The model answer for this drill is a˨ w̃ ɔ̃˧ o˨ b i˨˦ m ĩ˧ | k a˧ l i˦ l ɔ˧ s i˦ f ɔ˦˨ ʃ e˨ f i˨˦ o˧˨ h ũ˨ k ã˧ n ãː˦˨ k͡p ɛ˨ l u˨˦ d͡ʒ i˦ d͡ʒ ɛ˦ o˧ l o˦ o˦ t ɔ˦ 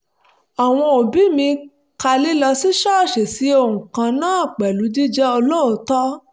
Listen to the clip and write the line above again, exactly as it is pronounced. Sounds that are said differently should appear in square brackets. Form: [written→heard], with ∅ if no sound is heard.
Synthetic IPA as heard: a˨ w̃ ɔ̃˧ o˨ b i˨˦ m ĩ˧ | k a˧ l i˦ l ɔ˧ s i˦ [f→ʃ] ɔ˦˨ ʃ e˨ [f→s] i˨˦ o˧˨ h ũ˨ k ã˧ n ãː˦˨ k͡p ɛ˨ l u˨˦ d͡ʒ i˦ d͡ʒ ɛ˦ o˧ l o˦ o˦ t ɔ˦